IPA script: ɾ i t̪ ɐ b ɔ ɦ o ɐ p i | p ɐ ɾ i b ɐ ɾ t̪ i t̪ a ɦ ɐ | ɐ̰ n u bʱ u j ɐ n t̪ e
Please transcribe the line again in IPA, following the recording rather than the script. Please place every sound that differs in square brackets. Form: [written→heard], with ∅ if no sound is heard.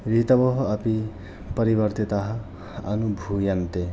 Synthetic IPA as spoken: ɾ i t̪ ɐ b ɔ ɦ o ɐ p i | p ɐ ɾ i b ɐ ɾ t̪ i t̪ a ɦ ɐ | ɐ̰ n u bʱ u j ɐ n t̪ e